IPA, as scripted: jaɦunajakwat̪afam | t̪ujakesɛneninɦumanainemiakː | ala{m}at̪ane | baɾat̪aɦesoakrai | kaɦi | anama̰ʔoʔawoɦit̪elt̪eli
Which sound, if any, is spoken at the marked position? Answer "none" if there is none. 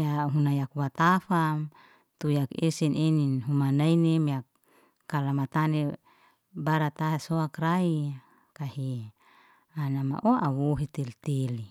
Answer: m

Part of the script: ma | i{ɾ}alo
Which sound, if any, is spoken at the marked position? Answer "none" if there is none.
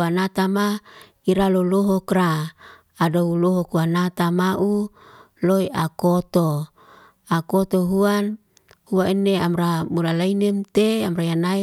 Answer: ɾ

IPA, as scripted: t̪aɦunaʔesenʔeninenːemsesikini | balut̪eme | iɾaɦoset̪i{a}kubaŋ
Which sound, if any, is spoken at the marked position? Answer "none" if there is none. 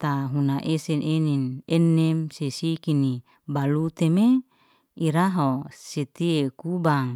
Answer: e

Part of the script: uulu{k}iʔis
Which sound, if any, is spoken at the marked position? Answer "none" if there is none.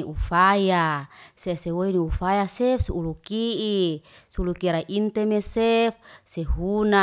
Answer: k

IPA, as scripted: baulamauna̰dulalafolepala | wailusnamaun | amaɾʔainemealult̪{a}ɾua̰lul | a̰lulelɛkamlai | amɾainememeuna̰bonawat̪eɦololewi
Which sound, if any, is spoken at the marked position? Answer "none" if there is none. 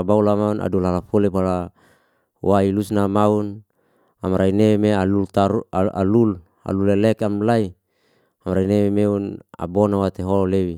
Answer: a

